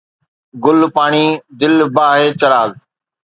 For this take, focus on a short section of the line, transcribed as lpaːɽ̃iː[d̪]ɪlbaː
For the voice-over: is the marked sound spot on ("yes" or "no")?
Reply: yes